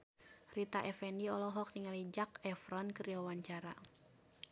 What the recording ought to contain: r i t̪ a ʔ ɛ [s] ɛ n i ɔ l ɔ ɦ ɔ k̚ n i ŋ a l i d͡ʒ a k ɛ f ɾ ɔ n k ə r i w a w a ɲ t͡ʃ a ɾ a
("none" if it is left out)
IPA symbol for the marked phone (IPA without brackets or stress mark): f